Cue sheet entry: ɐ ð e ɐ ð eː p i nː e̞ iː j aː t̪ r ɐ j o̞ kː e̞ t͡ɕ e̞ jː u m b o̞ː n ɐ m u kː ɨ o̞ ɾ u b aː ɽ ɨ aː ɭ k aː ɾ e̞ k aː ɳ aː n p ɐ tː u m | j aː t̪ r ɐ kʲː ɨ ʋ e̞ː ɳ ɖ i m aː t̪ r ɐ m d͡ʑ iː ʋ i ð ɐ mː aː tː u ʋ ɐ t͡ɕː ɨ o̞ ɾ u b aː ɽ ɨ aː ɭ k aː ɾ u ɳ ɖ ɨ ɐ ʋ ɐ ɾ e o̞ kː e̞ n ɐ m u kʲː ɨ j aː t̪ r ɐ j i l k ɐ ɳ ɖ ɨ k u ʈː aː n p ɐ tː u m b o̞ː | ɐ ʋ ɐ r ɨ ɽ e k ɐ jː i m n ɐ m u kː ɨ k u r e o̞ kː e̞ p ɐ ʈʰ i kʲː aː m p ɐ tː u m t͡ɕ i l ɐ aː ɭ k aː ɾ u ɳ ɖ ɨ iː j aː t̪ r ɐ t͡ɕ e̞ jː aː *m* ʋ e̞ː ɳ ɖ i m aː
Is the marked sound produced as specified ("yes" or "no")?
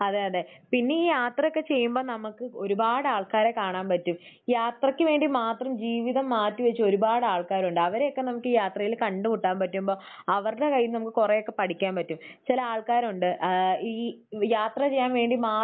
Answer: no